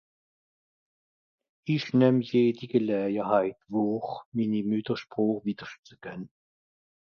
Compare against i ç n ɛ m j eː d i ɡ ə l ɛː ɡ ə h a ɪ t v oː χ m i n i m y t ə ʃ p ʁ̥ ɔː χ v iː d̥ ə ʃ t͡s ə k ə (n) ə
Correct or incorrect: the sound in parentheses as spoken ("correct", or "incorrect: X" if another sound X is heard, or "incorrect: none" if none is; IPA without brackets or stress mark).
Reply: correct